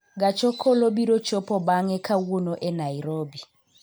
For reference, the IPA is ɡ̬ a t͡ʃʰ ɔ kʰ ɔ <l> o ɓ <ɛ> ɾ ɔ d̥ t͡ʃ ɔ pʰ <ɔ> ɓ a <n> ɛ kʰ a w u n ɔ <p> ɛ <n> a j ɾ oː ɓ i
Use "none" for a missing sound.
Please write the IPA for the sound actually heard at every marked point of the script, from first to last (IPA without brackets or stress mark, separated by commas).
l, i, ɔ, ŋ, ʔ, n